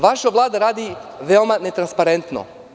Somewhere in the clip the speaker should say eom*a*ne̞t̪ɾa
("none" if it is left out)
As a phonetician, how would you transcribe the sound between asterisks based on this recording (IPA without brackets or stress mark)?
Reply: a